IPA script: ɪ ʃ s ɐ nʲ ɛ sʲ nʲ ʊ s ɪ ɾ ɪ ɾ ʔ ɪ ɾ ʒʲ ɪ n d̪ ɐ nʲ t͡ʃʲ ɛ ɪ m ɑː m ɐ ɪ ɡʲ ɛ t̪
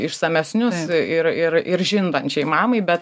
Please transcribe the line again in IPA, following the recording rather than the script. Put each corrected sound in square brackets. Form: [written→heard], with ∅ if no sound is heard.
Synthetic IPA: ɪ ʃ s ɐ [nʲ→mʲ] ɛ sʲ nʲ ʊ s ɪ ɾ ɪ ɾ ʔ ɪ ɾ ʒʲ ɪ n d̪ ɐ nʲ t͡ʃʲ ɛ ɪ m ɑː m ɐ ɪ [ɡʲ→bʲ] ɛ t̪

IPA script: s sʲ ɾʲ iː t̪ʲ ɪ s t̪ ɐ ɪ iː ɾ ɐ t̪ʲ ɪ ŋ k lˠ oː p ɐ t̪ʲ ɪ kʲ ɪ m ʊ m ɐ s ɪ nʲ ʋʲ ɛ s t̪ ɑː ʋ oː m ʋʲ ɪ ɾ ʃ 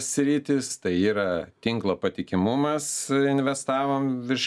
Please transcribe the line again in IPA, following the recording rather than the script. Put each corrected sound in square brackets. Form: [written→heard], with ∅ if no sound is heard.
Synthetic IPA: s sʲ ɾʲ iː t̪ʲ ɪ s t̪ ɐ ɪ iː ɾ ɐ t̪ʲ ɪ ŋ k lˠ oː p ɐ t̪ʲ ɪ kʲ ɪ m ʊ m ɐ s ɪ nʲ ʋʲ ɛ s t̪ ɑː ʋ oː m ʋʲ ɪ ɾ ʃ

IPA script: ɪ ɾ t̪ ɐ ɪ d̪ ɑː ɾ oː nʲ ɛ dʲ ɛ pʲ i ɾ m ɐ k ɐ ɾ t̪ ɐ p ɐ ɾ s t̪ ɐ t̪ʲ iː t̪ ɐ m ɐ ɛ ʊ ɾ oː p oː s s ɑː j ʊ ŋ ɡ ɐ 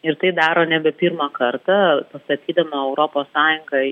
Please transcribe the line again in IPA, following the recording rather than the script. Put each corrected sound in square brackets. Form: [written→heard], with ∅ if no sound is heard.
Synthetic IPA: ɪ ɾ t̪ ɐ ɪ d̪ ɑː ɾ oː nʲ ɛ [dʲ→bʲ] ɛ pʲ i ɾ m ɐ k ɐ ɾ t̪ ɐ p ɐ [ɾ→∅] s t̪ ɐ t̪ʲ iː [t̪→d̪] ɐ m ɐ ɛ ʊ ɾ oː p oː s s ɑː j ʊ ŋ ɡ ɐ

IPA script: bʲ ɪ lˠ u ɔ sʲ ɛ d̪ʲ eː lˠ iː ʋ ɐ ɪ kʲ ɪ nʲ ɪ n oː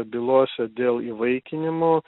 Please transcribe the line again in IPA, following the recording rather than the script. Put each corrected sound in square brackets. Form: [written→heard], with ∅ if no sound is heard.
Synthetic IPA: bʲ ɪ lˠ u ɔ sʲ ɛ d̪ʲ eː lˠ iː ʋ ɐ ɪ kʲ ɪ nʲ ɪ [n→m] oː

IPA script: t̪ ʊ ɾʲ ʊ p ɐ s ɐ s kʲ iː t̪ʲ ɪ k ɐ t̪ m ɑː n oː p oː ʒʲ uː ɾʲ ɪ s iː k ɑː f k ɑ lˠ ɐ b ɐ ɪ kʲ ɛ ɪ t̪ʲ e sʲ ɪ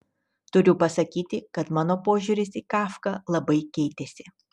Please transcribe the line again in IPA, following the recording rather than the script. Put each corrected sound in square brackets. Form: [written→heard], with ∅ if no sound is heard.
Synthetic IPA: t̪ ʊ ɾʲ ʊ p ɐ s ɐ [s→∅] kʲ iː t̪ʲ ɪ k ɐ t̪ m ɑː n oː p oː ʒʲ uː ɾʲ ɪ s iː k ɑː f k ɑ lˠ ɐ b ɐ ɪ kʲ ɛ ɪ t̪ʲ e sʲ ɪ

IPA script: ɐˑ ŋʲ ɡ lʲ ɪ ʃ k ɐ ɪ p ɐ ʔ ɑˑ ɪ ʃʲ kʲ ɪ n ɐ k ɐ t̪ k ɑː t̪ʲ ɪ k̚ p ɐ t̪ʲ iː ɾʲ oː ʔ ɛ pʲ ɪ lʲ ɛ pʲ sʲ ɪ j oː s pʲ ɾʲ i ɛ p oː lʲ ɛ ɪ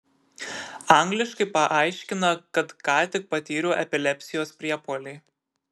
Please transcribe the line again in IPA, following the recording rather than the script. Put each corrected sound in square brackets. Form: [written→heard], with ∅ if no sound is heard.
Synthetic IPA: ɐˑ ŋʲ ɡ lʲ ɪ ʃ k ɐ ɪ p ɐ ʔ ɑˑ ɪ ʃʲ kʲ ɪ n ɐ k ɐ t̪ k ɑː t̪ʲ ɪ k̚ p ɐ t̪ʲ iː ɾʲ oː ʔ ɛ pʲ ɪ lʲ ɛ pʲ sʲ ɪ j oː s pʲ ɾʲ i ɛ p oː lʲ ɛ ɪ

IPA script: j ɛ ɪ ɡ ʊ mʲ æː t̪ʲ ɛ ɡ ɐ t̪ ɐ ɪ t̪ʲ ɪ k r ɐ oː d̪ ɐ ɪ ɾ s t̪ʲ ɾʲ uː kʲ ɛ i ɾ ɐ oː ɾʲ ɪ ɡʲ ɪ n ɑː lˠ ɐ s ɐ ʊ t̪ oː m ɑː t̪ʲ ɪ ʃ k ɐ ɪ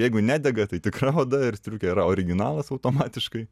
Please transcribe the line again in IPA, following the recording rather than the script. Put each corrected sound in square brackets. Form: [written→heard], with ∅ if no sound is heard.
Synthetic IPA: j ɛ ɪ ɡ ʊ [mʲ→nʲ] æː [t̪ʲ→d̪ʲ] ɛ ɡ ɐ t̪ ɐ ɪ t̪ʲ ɪ k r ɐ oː d̪ ɐ ɪ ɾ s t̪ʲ ɾʲ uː kʲ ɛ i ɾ ɐ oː ɾʲ ɪ ɡʲ ɪ n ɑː lˠ ɐ s ɐ ʊ t̪ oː m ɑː t̪ʲ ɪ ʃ k ɐ ɪ

